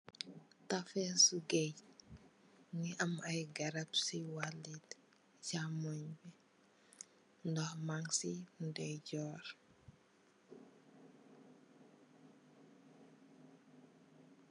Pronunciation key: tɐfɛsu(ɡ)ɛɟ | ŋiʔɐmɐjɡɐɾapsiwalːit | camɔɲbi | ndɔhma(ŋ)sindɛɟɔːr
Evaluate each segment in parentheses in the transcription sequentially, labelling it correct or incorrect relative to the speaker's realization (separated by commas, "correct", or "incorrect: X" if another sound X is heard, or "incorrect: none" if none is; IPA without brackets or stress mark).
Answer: correct, correct